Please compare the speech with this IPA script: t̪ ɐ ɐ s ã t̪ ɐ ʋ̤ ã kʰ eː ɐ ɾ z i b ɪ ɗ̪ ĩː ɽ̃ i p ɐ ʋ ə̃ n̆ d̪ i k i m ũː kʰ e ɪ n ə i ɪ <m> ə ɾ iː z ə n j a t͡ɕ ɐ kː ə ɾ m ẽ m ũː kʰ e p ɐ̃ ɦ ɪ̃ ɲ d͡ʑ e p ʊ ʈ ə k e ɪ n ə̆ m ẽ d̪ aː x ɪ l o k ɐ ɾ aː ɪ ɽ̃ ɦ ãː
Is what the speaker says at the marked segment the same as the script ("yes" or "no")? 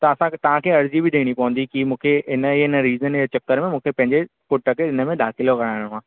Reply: no